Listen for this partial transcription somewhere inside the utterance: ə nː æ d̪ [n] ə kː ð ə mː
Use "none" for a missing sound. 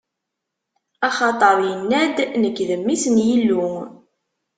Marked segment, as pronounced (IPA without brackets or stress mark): n